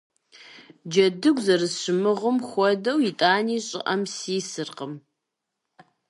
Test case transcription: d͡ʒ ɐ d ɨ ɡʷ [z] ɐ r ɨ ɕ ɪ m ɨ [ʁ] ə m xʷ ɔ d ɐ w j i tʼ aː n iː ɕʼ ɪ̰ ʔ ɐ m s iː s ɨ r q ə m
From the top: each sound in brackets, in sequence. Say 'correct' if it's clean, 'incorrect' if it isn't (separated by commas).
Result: correct, correct